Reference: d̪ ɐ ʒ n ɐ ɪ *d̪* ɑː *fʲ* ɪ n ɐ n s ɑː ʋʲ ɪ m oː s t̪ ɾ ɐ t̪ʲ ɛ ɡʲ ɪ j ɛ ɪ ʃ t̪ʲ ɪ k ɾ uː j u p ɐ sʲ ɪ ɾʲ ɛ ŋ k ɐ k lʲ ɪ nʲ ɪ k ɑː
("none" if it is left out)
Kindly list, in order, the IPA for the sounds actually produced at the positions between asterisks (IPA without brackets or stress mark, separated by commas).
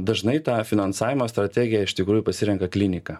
t̪, fʲ